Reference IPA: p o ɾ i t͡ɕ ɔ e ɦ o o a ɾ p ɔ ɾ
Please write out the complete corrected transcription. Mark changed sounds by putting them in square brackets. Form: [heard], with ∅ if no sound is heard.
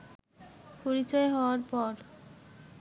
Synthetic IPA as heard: p o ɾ i t͡ɕ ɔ e ɦ [ɔ] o a ɾ p ɔ ɾ

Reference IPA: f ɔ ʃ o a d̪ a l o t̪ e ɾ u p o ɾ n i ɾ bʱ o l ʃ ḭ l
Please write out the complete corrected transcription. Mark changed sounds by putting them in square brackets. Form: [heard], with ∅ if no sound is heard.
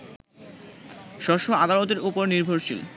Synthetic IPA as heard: [ʃ] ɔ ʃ o a d̪ a l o t̪ e ɾ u p o ɾ n i ɾ bʱ o [ɾ] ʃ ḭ l

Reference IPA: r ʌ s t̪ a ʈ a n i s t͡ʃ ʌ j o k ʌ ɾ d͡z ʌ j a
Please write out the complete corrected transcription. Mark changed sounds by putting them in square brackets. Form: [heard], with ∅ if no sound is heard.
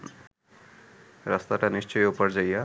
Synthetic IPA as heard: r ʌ s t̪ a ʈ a n i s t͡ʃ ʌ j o [p] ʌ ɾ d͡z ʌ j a

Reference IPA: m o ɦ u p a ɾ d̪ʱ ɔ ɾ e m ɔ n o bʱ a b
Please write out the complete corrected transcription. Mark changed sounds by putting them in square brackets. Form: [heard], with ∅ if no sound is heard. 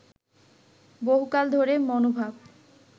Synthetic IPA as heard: [b] o ɦ u [k] a [l] d̪ʱ [o] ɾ e m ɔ n o bʱ a b

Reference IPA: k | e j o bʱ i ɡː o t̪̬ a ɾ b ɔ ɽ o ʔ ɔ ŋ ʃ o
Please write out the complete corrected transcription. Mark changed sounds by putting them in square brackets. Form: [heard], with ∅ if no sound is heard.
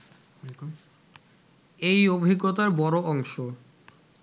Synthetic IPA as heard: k | e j o bʱ i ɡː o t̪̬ a ɾ b ɔ [ɾ] o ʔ ɔ ŋ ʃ o

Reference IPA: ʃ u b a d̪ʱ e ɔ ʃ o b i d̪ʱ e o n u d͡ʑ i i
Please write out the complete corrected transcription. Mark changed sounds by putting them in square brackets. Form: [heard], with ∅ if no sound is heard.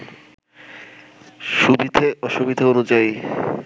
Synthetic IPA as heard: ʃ u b [i] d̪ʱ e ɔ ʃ [u] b i d̪ʱ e o n u d͡ʑ [a] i

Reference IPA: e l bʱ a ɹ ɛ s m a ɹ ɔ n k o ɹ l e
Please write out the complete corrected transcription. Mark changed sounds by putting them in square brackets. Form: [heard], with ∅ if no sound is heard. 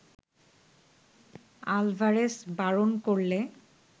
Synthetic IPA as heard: [a] l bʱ a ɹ [e] s [b] a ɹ [o] n k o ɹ l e

